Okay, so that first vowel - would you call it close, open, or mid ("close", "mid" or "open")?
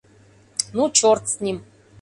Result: close